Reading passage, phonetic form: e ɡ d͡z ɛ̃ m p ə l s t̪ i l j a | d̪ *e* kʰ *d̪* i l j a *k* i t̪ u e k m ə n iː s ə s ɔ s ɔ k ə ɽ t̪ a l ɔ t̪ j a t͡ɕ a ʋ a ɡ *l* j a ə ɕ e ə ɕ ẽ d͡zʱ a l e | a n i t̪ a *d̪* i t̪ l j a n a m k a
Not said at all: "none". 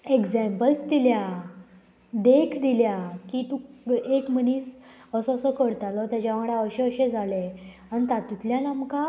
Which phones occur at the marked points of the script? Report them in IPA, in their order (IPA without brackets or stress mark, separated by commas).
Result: e, d̪, k, ɽ, t̪